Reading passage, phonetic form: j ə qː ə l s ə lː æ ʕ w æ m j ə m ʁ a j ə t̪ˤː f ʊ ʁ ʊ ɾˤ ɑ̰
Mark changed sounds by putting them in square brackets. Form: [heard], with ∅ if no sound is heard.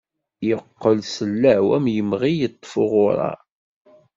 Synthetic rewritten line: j ə qː ə l s ə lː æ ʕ w æ m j ə m ʁ [i] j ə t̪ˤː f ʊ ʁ ʊ ɾˤ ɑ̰